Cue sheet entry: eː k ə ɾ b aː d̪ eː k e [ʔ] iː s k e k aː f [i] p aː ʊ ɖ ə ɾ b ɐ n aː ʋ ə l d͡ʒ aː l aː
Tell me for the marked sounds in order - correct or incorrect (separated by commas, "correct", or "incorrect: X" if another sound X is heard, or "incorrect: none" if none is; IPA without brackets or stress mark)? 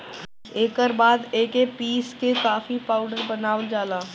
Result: incorrect: p, correct